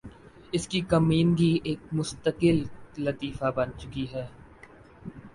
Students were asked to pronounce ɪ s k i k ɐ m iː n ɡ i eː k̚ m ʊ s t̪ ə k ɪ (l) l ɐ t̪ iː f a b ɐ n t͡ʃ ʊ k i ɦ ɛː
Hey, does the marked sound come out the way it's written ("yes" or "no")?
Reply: yes